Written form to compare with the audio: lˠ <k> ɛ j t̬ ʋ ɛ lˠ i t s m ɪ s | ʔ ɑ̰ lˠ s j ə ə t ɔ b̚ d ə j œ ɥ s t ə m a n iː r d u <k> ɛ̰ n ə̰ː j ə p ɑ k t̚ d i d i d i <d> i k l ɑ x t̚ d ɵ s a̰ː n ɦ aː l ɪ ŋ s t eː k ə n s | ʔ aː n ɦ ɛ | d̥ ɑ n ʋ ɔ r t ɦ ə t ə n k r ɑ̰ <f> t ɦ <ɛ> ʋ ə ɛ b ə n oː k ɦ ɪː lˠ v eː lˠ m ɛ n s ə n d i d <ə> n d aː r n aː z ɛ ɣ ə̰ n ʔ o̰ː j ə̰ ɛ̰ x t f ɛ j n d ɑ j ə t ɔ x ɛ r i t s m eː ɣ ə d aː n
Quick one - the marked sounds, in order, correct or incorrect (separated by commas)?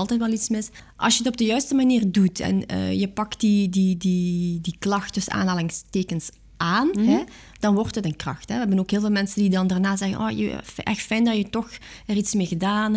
incorrect, incorrect, correct, incorrect, correct, incorrect